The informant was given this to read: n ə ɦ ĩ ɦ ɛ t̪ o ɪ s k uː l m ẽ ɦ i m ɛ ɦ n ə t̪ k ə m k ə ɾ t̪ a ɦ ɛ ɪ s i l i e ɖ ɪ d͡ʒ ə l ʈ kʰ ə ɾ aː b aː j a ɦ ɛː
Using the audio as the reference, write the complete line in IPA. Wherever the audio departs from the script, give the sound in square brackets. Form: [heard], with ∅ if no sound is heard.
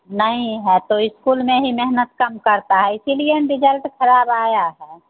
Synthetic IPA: n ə ɦ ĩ ɦ ɛ t̪ o ɪ s k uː l m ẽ ɦ i m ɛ ɦ n ə t̪ k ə m k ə ɾ t̪ a ɦ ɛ ɪ s i l i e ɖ ɪ d͡ʒ ə l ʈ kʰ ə ɾ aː b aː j a ɦ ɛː